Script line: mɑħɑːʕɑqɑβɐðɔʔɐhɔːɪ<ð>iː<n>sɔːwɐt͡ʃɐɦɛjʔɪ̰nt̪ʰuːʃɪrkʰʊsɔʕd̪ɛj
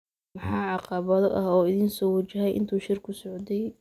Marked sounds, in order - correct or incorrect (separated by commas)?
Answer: correct, correct